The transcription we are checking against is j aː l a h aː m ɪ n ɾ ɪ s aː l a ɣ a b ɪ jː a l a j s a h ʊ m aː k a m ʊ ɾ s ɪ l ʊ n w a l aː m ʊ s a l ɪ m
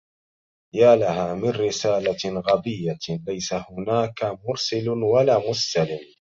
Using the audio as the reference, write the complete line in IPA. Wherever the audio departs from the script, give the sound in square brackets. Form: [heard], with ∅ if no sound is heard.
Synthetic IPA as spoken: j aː l a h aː m ɪ n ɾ ɪ s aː l a ɣ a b ɪ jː a l a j s a h ʊ [n] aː k a m ʊ ɾ s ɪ l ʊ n w a l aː m ʊ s a l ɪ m